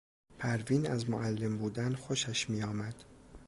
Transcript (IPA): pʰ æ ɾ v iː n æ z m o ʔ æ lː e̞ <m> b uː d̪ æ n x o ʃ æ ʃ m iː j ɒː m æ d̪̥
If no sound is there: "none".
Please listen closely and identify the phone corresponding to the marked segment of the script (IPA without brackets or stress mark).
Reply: m